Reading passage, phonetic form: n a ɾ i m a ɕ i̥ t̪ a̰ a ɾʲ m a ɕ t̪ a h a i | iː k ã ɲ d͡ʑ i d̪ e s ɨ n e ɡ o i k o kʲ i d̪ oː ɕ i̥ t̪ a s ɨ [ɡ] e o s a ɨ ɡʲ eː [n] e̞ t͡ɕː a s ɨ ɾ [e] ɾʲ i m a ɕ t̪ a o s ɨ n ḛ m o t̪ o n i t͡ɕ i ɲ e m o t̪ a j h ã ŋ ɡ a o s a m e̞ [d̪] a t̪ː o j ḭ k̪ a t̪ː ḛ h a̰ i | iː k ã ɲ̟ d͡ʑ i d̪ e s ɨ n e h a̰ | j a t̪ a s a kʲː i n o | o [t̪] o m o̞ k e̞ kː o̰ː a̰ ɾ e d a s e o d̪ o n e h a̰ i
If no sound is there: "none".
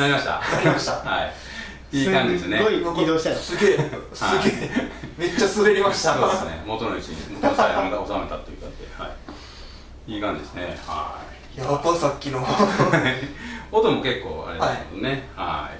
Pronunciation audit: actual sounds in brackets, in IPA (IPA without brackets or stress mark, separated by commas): ɡ, m, e, t̪, t̪